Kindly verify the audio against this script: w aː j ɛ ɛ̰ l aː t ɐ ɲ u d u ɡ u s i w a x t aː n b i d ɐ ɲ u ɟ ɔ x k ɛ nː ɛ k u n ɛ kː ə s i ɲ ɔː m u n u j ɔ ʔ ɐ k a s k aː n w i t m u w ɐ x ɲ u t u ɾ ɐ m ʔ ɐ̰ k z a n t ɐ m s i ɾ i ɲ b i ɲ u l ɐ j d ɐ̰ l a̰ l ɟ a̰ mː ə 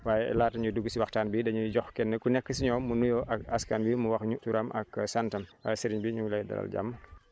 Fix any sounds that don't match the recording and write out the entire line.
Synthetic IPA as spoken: w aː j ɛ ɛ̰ l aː t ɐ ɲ u d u ɡ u s i w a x t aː n b i d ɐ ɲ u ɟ ɔ x k ɛ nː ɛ k u n ɛ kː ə s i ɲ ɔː m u n u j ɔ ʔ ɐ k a s k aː n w i m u w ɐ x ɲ u t u ɾ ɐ m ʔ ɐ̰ k s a n t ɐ m s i ɾ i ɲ b i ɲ u l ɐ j d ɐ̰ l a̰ l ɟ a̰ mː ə